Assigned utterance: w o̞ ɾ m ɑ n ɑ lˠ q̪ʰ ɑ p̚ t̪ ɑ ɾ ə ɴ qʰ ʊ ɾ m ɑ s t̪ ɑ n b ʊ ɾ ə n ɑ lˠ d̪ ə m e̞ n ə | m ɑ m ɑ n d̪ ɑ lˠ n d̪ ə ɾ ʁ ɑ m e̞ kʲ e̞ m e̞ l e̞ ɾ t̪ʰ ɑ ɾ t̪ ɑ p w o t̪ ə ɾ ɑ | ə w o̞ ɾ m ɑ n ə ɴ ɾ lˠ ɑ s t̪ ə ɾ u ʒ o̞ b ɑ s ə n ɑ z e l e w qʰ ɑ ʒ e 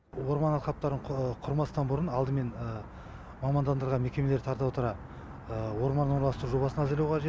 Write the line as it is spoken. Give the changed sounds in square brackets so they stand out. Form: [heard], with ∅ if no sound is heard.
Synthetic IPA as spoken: w o̞ ɾ m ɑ n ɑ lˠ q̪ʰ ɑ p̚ t̪ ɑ ɾ ə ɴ qʰ ʊ ɾ m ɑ s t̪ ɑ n b ʊ ɾ ə n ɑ lˠ d̪ ə m e̞ n ə | m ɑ m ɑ n d̪ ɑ [∅] n d̪ ə ɾ ʁ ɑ m e̞ kʲ e̞ m e̞ l e̞ ɾ t̪ʰ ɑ ɾ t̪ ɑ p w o t̪ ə ɾ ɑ | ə w o̞ ɾ m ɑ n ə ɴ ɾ lˠ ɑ s t̪ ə ɾ u ʒ o̞ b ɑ s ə n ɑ z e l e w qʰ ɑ ʒ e

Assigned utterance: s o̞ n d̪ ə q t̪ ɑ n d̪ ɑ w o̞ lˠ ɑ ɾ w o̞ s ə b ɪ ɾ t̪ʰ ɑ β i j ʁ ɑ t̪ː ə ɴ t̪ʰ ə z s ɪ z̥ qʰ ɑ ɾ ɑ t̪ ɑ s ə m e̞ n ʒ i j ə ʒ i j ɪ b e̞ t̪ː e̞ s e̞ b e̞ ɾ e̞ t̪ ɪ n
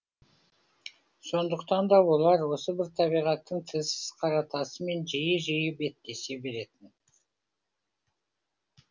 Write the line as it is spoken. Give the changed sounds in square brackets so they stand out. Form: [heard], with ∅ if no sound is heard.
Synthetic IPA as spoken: s o̞ n d̪ ə q t̪ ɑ n d̪ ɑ w o̞ lˠ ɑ ɾ w o̞ s ə b ɪ ɾ t̪ʰ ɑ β i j ʁ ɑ t̪ː ə ɴ t̪ʰ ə z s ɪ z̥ qʰ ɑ ɾ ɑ t̪ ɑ s ə m e̞ n ʒ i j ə ʒ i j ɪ b e̞ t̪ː e̞ s e̞ b e̞ ɾ e̞ t̪ ɪ n

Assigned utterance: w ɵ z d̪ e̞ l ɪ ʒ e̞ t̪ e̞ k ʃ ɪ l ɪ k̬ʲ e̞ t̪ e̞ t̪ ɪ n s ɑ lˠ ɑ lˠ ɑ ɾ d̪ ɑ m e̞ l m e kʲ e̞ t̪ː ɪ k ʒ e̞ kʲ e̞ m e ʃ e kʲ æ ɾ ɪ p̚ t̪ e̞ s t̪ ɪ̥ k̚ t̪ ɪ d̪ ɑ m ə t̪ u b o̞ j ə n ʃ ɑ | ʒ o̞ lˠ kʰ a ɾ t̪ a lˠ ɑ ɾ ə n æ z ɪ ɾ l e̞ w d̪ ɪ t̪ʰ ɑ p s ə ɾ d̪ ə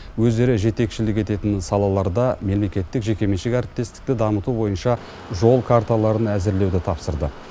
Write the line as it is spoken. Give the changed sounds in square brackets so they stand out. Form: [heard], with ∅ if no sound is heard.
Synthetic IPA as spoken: w ɵ z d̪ e̞ [ɾ] ɪ ʒ e̞ t̪ e̞ k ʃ ɪ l ɪ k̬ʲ e̞ t̪ e̞ t̪ ɪ n s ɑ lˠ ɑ lˠ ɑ ɾ d̪ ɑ m e̞ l m e kʲ e̞ t̪ː ɪ k ʒ e̞ kʲ e̞ m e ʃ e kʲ æ ɾ ɪ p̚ t̪ e̞ s t̪ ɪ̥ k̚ t̪ ɪ d̪ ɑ m ə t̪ u b o̞ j ə n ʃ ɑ | ʒ o̞ lˠ kʰ a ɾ t̪ a lˠ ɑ ɾ ə n æ z ɪ ɾ l e̞ w d̪ ɪ t̪ʰ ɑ p s ə ɾ d̪ ə

